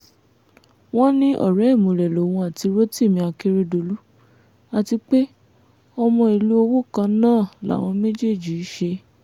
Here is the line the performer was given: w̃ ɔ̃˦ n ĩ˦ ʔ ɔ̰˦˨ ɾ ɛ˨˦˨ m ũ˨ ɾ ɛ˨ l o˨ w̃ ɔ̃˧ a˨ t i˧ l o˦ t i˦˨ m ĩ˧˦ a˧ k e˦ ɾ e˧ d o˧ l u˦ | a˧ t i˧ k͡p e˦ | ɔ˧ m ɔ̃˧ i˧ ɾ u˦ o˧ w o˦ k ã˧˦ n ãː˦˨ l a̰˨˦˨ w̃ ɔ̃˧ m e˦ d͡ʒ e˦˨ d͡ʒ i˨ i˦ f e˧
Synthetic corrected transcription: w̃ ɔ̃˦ n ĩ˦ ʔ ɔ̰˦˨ ɾ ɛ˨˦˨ m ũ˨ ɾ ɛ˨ l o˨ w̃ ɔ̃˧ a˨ t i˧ ɾ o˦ t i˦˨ m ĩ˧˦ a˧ k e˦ ɾ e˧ d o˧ l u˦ | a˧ t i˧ k͡p e˦ | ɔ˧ m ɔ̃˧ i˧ l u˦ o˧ w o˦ k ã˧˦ n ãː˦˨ l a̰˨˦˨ w̃ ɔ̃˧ m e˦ d͡ʒ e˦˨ d͡ʒ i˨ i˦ ʃ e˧